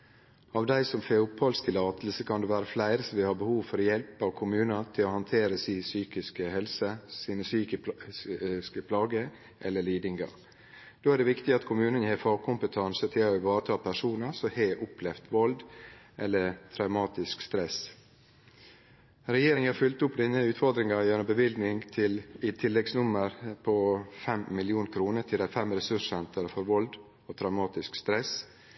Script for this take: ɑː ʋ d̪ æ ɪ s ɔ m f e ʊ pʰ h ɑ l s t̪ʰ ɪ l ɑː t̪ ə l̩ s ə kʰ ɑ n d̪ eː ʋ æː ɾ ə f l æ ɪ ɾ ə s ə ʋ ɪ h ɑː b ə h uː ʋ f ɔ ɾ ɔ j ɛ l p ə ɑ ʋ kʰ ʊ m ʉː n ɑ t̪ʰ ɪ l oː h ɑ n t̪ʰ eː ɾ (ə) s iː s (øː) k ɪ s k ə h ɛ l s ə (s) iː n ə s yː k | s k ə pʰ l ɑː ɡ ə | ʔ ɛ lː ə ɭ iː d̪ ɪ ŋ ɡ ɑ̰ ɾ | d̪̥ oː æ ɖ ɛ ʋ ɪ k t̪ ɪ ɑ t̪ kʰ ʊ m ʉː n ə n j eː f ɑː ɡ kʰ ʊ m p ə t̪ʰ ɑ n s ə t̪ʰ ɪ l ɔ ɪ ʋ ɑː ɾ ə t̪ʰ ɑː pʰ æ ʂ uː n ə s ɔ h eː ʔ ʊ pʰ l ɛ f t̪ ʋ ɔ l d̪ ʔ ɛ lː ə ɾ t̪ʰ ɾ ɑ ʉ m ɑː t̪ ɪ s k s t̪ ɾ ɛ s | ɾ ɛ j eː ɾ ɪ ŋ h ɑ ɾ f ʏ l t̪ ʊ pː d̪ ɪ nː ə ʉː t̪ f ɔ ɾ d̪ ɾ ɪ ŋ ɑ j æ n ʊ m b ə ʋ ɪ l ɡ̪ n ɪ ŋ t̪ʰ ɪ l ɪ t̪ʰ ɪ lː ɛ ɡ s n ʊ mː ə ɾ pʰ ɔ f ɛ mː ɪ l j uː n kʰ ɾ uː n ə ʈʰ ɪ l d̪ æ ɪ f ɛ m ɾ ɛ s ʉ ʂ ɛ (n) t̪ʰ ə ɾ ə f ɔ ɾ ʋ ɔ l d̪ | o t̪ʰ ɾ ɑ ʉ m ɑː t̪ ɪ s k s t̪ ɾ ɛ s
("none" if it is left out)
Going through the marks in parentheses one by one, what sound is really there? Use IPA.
ə, yː, s, n

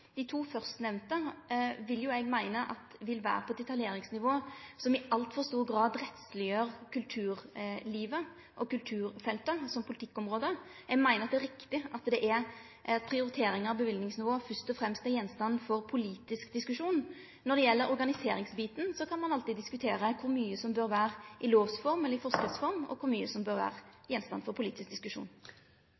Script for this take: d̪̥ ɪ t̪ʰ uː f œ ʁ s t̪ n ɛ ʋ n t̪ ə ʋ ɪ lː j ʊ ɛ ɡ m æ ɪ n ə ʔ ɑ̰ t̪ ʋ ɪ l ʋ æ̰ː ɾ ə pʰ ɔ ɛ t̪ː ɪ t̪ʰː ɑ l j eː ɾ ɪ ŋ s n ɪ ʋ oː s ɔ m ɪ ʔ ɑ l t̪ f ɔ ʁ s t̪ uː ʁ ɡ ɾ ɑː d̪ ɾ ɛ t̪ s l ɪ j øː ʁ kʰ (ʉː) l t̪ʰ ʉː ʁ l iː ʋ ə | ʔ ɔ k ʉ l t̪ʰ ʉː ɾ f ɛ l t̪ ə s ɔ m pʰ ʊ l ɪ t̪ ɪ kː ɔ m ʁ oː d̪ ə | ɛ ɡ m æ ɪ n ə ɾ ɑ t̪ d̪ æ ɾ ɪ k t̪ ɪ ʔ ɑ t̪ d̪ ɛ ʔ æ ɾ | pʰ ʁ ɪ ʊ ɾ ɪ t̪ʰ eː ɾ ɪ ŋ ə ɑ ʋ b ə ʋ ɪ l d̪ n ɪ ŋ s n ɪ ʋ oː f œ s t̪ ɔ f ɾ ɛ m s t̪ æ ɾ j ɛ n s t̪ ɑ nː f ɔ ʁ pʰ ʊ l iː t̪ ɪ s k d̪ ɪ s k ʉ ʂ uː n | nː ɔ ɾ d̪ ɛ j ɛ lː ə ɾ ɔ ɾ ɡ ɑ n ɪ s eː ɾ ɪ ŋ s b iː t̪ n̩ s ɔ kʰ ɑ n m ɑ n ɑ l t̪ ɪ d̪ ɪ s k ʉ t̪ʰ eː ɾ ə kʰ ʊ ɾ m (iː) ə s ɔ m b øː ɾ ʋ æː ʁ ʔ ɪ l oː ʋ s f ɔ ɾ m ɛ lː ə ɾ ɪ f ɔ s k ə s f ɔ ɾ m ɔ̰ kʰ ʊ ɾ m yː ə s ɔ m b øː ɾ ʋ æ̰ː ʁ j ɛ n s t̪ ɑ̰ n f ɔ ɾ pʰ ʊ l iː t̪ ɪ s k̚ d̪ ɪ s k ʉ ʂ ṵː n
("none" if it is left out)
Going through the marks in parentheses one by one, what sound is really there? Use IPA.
ʉ, yː

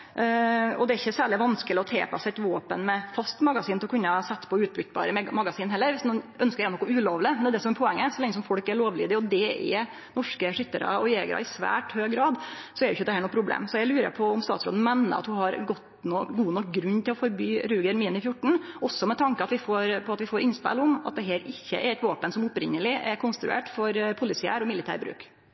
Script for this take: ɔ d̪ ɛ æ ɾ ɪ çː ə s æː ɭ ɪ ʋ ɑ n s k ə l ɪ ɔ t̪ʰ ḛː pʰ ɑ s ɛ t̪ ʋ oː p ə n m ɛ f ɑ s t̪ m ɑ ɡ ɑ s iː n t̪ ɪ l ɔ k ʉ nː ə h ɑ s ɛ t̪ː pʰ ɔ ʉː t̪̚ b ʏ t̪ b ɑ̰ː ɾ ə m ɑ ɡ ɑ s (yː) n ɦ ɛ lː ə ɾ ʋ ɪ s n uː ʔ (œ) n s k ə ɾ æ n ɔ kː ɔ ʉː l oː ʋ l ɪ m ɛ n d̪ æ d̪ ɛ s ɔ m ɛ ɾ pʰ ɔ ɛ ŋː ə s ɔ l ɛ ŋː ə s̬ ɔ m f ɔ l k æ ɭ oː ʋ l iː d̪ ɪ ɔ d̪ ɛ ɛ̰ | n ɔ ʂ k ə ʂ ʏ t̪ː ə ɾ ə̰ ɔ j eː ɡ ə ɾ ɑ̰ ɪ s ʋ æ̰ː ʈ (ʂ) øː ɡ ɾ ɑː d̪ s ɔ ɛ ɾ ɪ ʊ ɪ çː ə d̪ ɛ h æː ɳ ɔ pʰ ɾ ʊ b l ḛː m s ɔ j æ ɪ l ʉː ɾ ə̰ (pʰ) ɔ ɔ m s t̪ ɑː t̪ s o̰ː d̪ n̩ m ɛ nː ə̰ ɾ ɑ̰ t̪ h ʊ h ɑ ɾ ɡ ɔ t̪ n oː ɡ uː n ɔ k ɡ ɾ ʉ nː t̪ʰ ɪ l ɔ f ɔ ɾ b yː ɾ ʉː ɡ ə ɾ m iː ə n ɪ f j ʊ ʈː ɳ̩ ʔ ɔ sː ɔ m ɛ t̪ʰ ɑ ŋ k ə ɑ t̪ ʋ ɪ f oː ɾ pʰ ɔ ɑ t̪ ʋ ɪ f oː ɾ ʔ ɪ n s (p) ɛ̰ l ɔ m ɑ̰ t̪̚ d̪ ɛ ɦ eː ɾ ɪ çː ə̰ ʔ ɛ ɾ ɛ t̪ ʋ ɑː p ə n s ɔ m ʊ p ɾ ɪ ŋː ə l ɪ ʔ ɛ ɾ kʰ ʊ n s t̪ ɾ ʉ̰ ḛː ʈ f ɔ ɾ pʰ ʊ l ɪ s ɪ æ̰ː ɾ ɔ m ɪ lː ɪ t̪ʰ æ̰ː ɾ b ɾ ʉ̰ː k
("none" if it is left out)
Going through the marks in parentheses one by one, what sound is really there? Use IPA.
iː, œ, h, pʰ, p

